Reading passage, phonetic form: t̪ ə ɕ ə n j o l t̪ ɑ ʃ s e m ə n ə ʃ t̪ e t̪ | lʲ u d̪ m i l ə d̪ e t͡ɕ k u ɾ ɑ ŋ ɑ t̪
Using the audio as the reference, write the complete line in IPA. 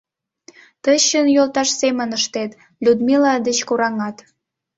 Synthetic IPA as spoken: t̪ ə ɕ ə n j o l t̪ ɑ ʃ s e m ə n ə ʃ t̪ e t̪ | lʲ u d̪ m i l ɑ d̪ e t͡ɕ k u ɾ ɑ ŋ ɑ t̪